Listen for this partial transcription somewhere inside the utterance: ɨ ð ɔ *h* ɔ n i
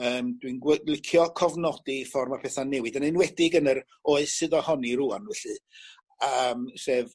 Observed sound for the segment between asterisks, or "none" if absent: h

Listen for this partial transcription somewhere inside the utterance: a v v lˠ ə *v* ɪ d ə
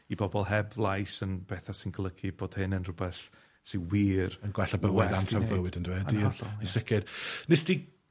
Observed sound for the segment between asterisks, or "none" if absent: w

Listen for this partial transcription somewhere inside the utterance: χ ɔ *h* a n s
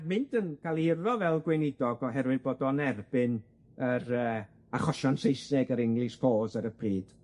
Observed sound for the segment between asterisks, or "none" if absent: ʃ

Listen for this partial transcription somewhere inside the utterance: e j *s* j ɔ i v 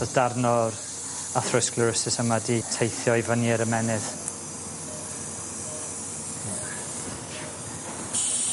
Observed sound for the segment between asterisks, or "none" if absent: θ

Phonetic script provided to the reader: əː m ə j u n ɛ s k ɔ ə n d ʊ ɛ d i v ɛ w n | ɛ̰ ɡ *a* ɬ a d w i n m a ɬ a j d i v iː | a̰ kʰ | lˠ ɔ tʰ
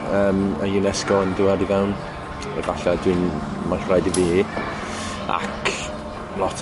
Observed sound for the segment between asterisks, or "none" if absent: a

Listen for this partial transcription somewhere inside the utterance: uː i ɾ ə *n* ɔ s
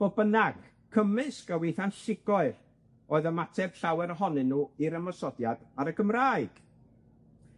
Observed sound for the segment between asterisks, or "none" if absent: m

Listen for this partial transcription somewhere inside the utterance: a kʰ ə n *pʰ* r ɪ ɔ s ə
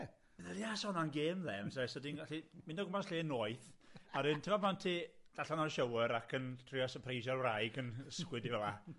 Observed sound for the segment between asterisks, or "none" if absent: tʰ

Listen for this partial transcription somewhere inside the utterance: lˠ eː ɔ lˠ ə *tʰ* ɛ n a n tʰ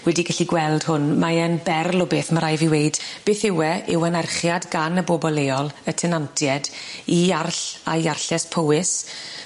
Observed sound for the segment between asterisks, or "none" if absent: tʰ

